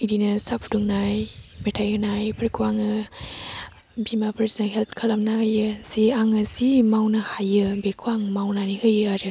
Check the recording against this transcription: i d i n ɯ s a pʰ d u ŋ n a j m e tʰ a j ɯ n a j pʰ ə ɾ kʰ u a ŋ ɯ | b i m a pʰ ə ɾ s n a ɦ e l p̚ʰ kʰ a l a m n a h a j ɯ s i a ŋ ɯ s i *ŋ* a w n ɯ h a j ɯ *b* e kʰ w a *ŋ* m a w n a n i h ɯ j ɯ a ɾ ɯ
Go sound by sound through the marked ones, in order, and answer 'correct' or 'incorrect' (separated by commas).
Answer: incorrect, correct, correct